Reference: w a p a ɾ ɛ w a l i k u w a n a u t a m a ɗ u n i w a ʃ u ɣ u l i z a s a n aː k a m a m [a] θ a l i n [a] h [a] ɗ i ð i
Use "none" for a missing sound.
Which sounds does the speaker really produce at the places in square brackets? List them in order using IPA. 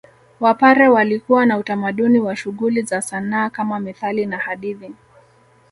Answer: i, a, a

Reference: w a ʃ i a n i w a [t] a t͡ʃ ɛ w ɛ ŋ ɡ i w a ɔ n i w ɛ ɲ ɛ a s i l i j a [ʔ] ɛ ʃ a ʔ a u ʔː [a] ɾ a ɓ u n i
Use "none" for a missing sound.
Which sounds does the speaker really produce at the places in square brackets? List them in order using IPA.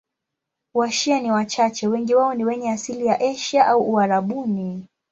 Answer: t͡ʃ, ʔ, a

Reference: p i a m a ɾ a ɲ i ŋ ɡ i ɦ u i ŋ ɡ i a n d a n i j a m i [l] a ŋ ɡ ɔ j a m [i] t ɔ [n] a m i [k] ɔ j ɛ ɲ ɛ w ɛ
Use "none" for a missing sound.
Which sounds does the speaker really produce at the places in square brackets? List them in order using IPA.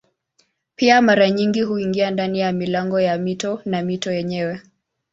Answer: l, i, n, t

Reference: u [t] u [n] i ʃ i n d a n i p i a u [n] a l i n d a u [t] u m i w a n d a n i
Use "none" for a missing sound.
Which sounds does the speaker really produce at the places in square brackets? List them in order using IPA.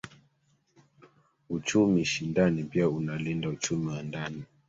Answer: t͡ʃ, m, n, t͡ʃ

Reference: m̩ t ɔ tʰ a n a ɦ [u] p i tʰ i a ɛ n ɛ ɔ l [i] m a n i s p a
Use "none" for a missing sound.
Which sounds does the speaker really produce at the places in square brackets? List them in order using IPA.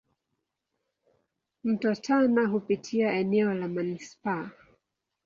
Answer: u, a

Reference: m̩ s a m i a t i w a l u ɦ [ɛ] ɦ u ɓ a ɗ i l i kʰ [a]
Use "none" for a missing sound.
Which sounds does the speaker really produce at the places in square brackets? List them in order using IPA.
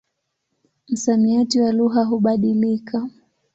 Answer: a, a

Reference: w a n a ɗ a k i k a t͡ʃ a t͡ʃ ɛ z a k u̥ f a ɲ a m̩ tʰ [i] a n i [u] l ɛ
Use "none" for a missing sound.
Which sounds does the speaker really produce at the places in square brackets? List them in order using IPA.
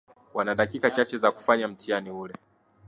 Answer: i, u

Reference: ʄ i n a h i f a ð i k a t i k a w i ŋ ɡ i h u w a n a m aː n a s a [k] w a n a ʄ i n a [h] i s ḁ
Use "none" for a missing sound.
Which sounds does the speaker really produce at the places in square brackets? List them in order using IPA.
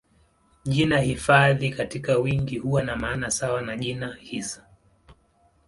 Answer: none, h

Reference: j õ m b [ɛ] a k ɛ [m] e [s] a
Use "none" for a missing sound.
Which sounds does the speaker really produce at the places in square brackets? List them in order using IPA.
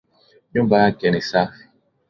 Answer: a, n, s

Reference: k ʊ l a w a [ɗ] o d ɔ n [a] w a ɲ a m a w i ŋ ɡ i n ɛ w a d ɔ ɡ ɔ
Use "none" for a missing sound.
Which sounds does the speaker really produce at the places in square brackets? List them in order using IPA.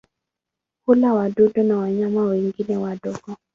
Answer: d, a

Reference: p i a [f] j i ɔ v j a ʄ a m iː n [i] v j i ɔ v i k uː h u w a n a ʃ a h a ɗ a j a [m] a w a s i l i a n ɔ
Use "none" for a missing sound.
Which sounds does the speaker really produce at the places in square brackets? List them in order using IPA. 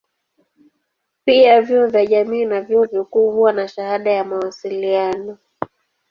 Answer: v, a, m

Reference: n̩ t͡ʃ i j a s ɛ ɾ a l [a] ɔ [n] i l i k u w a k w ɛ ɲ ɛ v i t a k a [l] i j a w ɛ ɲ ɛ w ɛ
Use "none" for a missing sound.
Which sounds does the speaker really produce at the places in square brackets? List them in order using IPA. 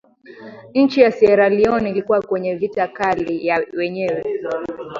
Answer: i, n, l

